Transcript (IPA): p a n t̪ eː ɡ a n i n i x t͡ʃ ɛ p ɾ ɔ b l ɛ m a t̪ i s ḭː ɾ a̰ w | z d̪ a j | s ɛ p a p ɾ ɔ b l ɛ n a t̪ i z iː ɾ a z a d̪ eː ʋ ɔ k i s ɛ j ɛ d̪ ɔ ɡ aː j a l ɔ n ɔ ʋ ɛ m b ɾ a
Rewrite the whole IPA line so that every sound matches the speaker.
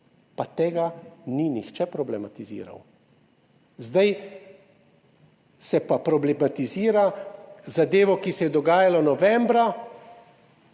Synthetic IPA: p a t̪ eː ɡ a n i n i x t͡ʃ ɛ p ɾ ɔ b l ɛ m a t̪ i z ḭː ɾ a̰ w | z d̪ a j | s ɛ p a p ɾ ɔ b l ɛ m a t̪ i z iː ɾ a z a d̪ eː ʋ ɔ k i s ɛ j ɛ d̪ ɔ ɡ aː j a l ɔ n ɔ ʋ ɛ m b ɾ a